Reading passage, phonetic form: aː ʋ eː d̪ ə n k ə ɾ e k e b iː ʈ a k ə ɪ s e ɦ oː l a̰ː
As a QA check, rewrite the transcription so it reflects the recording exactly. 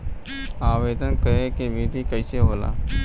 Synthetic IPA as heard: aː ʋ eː d̪ ə n k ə ɾ e k e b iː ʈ i k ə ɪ s e ɦ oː l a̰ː